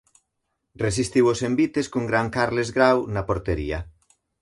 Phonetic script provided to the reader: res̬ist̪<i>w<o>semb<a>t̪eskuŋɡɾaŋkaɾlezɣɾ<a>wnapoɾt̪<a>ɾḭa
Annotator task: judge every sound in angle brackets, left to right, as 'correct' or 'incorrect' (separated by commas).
correct, correct, incorrect, correct, incorrect